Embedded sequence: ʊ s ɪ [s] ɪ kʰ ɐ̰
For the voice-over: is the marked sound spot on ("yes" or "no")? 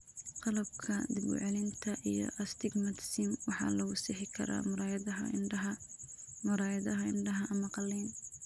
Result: no